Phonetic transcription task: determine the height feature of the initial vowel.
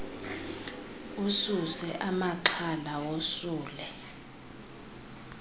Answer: high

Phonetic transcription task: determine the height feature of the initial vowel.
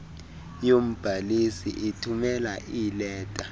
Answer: mid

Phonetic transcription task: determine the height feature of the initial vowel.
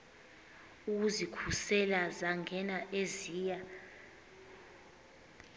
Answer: high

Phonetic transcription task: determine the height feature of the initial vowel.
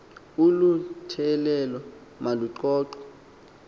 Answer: high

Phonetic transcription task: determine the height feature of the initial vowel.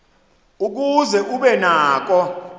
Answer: high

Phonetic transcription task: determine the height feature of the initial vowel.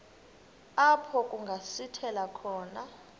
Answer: low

